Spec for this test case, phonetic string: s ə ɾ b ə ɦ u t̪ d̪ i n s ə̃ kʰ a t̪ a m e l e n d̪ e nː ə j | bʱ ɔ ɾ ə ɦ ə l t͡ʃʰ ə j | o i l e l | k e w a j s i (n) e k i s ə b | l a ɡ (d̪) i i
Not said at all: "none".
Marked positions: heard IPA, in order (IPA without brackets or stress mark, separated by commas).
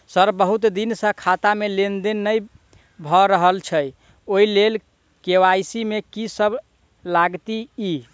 m, t̪